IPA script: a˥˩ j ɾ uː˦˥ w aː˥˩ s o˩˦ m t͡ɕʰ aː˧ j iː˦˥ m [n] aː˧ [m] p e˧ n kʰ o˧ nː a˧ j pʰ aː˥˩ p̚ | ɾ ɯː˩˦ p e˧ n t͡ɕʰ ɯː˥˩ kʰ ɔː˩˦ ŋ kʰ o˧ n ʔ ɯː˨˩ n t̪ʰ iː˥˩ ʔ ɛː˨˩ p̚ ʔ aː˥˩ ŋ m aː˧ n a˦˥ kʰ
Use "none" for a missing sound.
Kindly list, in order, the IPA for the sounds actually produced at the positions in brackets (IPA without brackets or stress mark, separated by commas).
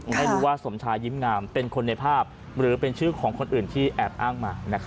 ŋ, m